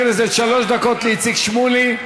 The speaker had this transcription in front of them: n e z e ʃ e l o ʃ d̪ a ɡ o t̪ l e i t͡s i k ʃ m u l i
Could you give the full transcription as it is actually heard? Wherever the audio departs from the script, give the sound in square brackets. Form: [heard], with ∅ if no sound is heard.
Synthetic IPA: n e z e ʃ [a] l o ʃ d̪ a [k] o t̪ l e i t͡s i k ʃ m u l i